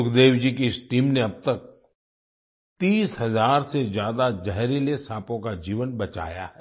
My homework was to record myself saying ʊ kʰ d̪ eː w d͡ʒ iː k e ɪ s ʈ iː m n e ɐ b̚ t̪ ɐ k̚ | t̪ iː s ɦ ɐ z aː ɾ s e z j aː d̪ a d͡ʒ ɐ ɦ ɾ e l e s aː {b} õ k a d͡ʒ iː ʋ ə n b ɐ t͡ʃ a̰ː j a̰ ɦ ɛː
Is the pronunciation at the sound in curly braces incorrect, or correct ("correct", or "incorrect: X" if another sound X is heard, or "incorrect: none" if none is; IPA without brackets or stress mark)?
incorrect: p